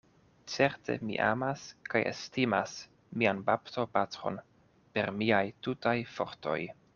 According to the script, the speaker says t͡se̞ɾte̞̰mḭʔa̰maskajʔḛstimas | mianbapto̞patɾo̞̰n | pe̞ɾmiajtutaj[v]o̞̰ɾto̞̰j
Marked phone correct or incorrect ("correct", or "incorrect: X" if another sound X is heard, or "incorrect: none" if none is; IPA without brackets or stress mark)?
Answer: incorrect: f